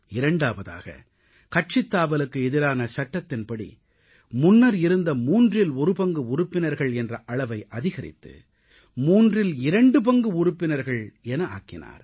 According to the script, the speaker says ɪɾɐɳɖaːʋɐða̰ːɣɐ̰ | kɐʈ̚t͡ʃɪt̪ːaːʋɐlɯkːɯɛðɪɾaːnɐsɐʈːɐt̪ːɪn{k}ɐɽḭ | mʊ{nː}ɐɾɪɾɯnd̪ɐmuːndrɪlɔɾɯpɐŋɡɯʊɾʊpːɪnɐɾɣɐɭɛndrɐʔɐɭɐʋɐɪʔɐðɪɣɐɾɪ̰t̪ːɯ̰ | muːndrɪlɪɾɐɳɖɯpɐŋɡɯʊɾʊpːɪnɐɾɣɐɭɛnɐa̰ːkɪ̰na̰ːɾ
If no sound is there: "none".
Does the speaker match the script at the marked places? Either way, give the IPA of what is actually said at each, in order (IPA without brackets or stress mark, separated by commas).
p, nː